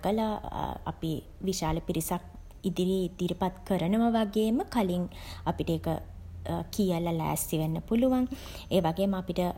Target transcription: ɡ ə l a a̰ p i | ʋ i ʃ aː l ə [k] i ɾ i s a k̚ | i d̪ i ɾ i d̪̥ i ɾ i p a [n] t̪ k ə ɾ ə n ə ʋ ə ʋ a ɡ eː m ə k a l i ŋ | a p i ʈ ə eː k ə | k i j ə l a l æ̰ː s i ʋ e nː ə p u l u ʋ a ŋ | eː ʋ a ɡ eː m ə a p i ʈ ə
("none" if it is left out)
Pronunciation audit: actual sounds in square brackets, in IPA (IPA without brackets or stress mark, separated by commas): p, none